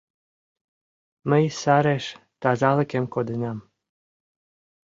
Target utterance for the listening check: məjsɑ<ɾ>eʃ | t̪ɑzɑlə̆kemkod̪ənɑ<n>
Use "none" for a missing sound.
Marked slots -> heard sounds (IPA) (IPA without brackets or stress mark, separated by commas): ɾ, m